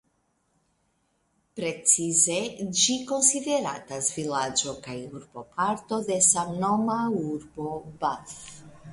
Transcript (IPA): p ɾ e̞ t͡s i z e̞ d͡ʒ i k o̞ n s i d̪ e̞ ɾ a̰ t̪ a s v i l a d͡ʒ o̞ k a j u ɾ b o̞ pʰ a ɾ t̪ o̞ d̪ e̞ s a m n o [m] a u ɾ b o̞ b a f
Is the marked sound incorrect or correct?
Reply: correct